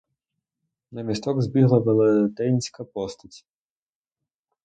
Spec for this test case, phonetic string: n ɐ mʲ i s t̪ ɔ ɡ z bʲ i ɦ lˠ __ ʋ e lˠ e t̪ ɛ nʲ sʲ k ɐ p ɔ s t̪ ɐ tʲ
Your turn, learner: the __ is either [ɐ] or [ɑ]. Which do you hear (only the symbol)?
ɐ